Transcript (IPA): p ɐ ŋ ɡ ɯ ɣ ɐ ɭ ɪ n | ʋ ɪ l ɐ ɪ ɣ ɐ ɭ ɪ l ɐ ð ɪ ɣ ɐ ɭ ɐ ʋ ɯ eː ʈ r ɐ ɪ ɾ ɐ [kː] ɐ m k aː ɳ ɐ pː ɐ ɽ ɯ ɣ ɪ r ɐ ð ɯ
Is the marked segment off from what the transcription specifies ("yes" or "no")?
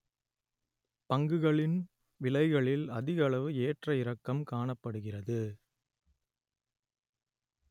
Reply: no